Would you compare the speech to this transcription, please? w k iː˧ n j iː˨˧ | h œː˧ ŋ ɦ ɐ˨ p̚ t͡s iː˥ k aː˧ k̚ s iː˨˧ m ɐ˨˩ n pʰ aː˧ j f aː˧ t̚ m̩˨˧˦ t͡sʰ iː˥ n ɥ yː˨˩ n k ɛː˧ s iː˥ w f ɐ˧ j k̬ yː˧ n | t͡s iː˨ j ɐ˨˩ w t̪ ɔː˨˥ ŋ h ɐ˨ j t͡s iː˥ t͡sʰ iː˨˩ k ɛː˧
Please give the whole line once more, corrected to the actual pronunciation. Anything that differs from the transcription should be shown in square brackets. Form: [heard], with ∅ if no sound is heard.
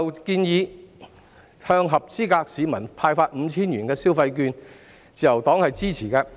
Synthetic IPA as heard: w k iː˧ n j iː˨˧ | h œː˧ ŋ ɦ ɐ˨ p̚ t͡s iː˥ k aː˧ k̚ s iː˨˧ m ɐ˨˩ n pʰ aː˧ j f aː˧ t̚ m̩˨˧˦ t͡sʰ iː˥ n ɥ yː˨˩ n k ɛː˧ s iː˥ w f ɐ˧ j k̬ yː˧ n | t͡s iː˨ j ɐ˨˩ w t̪ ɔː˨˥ ŋ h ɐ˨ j t͡s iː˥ t͡sʰ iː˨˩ k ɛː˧